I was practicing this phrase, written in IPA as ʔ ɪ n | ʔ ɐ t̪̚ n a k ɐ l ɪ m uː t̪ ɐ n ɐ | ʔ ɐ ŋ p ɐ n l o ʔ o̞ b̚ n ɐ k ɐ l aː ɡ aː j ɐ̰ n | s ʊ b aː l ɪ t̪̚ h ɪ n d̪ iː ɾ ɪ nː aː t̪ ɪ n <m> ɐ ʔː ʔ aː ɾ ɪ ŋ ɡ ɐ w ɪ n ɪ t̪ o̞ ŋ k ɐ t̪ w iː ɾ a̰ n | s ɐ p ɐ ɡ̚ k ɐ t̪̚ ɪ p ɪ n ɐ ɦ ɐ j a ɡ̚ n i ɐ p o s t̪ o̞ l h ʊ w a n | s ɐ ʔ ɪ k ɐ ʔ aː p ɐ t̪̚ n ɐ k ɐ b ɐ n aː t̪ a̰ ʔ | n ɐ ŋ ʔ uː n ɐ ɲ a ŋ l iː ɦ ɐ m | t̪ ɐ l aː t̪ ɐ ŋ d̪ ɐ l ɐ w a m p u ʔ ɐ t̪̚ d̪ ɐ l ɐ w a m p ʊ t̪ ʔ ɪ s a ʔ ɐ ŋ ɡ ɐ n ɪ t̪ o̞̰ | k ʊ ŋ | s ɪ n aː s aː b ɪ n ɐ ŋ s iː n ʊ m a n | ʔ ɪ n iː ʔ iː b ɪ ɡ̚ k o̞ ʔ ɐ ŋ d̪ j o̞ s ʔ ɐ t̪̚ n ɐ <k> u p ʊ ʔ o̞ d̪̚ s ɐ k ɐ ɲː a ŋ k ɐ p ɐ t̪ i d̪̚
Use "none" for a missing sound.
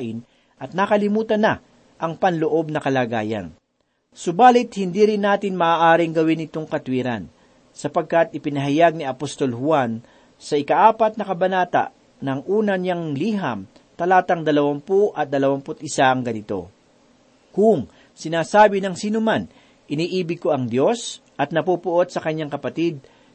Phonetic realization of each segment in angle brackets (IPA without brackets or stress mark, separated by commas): m, p